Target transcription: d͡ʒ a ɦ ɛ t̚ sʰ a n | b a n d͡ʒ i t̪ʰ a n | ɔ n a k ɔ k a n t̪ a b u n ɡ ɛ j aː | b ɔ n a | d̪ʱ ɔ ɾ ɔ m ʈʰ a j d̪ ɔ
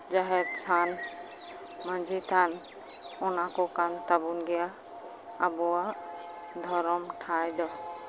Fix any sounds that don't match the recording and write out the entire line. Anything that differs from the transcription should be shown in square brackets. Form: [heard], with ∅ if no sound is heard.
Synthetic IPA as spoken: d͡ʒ a ɦ ɛ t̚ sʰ a n | [m] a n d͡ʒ i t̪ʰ a n | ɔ n a k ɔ k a n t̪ a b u n ɡ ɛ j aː | b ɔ [∅] a | d̪ʱ ɔ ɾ ɔ m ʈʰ a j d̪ ɔ